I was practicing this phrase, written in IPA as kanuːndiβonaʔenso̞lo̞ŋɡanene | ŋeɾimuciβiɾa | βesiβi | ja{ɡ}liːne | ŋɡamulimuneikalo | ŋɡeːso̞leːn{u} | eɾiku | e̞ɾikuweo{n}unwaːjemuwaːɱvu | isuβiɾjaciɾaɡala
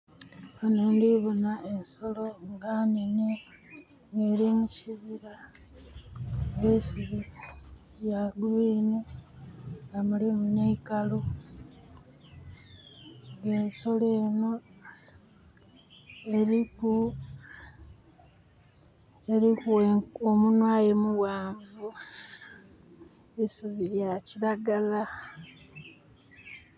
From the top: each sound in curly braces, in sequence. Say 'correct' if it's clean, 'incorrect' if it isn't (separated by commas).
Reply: correct, incorrect, incorrect